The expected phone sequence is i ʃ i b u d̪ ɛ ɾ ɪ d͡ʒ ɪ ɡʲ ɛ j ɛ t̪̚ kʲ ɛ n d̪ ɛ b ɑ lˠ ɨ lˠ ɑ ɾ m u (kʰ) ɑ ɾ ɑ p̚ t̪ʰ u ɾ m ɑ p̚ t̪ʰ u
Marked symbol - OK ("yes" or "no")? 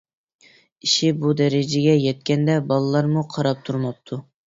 no